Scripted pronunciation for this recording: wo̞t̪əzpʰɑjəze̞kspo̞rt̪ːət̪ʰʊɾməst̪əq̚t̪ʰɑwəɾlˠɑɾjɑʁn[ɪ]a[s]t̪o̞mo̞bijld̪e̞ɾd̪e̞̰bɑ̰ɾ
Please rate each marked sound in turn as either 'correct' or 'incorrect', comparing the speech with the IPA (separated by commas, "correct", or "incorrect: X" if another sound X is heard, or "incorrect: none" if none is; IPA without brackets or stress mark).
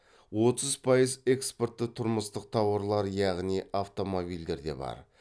incorrect: i, incorrect: f